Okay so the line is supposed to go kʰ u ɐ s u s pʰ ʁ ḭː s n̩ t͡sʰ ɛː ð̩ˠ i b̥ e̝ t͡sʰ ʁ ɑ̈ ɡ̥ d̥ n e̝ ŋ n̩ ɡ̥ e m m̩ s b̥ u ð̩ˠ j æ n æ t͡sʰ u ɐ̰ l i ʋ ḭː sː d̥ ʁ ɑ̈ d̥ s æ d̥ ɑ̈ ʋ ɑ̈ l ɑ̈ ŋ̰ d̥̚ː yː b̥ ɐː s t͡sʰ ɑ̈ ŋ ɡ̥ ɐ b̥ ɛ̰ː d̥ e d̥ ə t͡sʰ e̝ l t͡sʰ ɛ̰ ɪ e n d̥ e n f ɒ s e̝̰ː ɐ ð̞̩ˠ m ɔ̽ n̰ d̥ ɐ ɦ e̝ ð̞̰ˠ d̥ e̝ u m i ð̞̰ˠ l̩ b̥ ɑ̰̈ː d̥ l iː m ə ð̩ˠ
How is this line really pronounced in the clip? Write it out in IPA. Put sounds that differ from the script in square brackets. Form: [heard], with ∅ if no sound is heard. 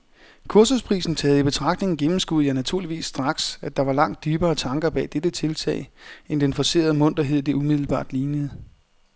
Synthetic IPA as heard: kʰ u ɐ s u s pʰ ʁ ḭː s n̩ t͡sʰ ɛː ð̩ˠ i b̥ e̝ t͡sʰ ʁ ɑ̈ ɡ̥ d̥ n e̝ ŋ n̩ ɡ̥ e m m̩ s [ɡ̥] u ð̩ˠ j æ n æ t͡sʰ u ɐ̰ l i ʋ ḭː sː d̥ ʁ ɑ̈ [ɡ̥] s æ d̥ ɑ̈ ʋ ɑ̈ l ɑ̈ ŋ̰ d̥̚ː yː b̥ ɐː [∅] t͡sʰ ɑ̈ ŋ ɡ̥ ɐ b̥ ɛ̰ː d̥ e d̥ ə t͡sʰ e̝ l t͡sʰ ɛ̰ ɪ e n d̥ e n f ɒ s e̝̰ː ɐ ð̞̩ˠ m ɔ̽ n̰ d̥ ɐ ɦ e̝ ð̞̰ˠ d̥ e̝ u m i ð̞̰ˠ l̩ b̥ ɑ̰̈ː d̥ l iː [n] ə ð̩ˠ